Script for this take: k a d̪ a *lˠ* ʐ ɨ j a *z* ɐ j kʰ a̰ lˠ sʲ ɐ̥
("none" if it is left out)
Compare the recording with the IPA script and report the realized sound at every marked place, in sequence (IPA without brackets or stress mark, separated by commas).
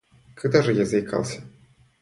none, z